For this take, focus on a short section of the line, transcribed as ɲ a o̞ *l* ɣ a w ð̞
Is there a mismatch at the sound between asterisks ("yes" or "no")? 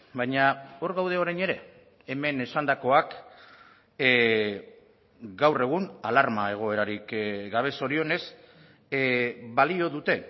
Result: yes